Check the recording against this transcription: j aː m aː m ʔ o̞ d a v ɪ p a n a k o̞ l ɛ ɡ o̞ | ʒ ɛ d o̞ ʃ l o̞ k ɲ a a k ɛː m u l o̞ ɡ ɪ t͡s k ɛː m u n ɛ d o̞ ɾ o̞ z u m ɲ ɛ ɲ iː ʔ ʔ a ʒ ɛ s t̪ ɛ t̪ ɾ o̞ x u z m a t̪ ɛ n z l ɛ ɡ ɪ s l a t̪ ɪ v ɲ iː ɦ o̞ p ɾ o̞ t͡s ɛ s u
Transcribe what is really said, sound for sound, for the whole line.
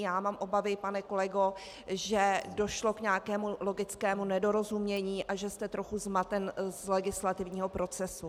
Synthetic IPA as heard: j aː m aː m ʔ o̞ b a v ɪ p a n ɛ k o̞ l ɛ ɡ o̞ | ʒ ɛ d o̞ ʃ l o̞ k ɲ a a k ɛː m u l o̞ ɡ ɪ t͡s k ɛː m u n ɛ d o̞ ɾ o̞ z u m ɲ ɛ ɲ iː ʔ ʔ a ʒ ɛ s t̪ ɛ t̪ ɾ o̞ x u z m a t̪ ɛ n z l ɛ ɡ ɪ s l a t̪ ɪ v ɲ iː ɦ o̞ p ɾ o̞ t͡s ɛ s u

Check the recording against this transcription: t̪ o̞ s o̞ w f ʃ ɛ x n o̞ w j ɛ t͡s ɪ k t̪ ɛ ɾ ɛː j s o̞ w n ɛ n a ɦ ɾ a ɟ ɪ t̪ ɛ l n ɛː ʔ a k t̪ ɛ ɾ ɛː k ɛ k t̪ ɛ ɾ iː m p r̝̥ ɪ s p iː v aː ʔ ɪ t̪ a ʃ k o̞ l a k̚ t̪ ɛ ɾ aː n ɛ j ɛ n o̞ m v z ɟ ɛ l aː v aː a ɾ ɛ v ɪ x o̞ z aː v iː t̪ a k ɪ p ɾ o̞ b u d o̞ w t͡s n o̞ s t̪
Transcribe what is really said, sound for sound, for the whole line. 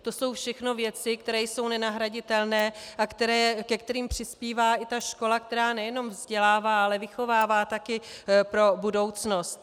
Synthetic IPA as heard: t̪ o̞ s o̞ w f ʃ ɛ x n o̞ v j ɛ t͡s ɪ k t̪ ɛ ɾ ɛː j s o̞ w n ɛ n a ɦ ɾ a ɟ ɪ t̪ ɛ l n ɛː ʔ a k t̪ ɛ ɾ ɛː k ɛ k t̪ ɛ ɾ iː m p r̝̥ ɪ s p iː v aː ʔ ɪ t̪ a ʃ k o̞ l a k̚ t̪ ɛ ɾ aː n ɛ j ɛ n o̞ m v z ɟ ɛ l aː v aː a l ɛ v ɪ x o̞ v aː v aː t̪ a k ɪ p ɾ o̞ b u d o̞ w t͡s n o̞ s t̪

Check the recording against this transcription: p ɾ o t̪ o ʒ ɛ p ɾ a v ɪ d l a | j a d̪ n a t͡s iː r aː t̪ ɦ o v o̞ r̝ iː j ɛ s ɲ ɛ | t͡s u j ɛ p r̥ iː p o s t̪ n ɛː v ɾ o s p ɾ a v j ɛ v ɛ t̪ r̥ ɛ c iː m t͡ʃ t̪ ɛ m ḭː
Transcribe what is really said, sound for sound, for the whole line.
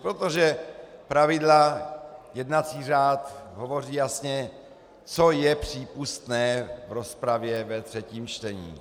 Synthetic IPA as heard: p ɾ o t̪ o ʒ ɛ p ɾ a v ɪ d l a | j ɛ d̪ n a t͡s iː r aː t̪ ɦ o v o̞ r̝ iː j a s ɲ ɛ | t͡s o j ɛ p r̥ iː p u s t̪ n ɛː v ɾ o s p ɾ a v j ɛ v ɛ t̪ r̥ ɛ c iː m t͡ʃ t̪ ɛ ɲ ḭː

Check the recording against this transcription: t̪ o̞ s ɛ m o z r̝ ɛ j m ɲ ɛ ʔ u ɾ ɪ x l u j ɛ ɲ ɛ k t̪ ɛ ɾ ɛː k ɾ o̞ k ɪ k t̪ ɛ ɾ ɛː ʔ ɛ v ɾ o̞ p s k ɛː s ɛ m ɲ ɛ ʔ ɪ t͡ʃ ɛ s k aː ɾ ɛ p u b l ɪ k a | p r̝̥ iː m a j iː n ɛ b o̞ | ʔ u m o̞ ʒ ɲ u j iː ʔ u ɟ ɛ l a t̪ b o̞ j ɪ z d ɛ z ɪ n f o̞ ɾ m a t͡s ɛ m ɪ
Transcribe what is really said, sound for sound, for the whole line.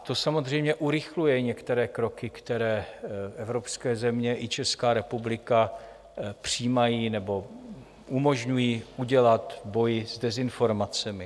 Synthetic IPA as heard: t̪ o̞ s a m o z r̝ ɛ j m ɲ ɛ ʔ u ɾ ɪ x l u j ɛ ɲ ɛ k t̪ ɛ ɾ ɛː k ɾ o̞ k ɪ k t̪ ɛ ɾ ɛː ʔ ɛ v ɾ o̞ p s k ɛː z ɛ m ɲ ɛ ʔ ɪ t͡ʃ ɛ s k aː ɾ ɛ p u b l ɪ k a | p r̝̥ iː m a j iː n ɛ b o̞ | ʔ u m o̞ ʒ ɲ u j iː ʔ u ɟ ɛ l a t̪ b o̞ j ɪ z d ɛ z ɪ n f o̞ ɾ m a t͡s ɛ m ɪ

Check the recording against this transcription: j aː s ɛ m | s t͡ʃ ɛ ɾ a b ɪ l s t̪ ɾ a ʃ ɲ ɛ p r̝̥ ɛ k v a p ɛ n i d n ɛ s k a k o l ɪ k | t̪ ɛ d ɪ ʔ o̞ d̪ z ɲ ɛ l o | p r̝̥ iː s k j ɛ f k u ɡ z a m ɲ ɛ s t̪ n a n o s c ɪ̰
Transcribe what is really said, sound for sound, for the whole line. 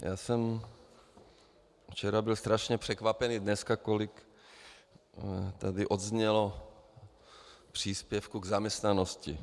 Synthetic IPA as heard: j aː s ɛ m | f t͡ʃ ɛ ɾ a b ɪ l s t̪ ɾ a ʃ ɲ ɛ p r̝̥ ɛ k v a p ɛ n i d n ɛ s k a k o l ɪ k | t̪ a d ɪ ʔ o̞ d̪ z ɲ ɛ l o | p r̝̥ iː s p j ɛ f k u ɡ z a m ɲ ɛ s t̪ n a n o s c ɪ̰

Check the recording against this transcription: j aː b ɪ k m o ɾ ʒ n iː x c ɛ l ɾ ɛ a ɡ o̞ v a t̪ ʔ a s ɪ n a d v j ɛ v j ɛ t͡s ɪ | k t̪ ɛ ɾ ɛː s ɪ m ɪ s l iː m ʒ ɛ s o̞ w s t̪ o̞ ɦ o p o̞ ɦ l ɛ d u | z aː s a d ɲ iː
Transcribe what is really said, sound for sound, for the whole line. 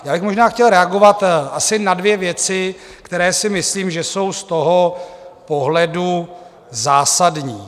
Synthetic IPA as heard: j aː b ɪ x m o ʒ n aː x c ɛ l ɾ ɛ a ɡ o̞ v a t̪ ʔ a s ɪ n a d v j ɛ v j ɛ t͡s ɪ | k t̪ ɛ ɾ ɛː s ɪ m ɪ s l iː m ʒ ɛ s o̞ w s t̪ o̞ ɦ o p o̞ ɦ l ɛ d u | z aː s a d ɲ iː

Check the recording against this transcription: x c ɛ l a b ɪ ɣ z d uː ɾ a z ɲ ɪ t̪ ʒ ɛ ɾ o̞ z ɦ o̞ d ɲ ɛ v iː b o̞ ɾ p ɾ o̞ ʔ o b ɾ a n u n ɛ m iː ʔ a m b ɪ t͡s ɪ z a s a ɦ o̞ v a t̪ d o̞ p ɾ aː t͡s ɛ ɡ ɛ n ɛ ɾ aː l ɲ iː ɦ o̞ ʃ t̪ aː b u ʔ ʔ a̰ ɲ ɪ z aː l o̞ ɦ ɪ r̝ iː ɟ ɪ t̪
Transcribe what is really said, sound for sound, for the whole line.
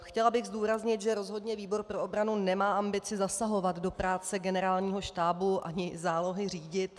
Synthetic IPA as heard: x c ɛ l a b ɪ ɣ z d uː ɾ a z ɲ ɪ t̪ ʒ ɛ ɾ o̞ z ɦ o̞ d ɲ ɛ v iː b o̞ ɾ p ɾ o̞ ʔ o b ɾ a n u n ɛ m aː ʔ a m b ɪ t͡s ɪ z a s a ɦ o̞ v a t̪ d o̞ p ɾ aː t͡s ɛ ɡ ɛ n ɛ ɾ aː l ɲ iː ɦ o̞ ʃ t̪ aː b u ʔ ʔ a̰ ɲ ɪ z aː l o̞ ɦ ɪ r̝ iː ɟ ɪ t̪

